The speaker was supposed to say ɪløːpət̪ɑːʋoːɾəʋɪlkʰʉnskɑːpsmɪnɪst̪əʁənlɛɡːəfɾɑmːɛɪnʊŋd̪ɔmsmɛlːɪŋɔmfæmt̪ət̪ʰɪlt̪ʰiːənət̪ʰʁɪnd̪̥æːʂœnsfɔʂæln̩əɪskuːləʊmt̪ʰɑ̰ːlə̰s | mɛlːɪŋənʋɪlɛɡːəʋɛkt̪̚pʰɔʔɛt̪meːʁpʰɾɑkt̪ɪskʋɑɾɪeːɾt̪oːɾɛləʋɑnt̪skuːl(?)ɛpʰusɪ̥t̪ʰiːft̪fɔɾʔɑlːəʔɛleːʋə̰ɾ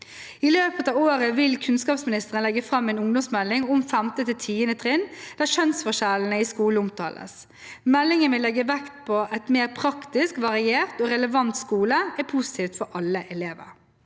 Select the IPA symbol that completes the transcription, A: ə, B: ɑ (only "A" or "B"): A